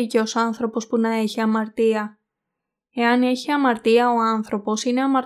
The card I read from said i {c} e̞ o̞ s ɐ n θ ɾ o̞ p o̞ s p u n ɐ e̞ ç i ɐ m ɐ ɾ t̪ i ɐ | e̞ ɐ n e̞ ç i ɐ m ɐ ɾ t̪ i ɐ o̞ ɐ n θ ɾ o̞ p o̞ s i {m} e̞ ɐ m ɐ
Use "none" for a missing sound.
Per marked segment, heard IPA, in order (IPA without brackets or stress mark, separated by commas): c, n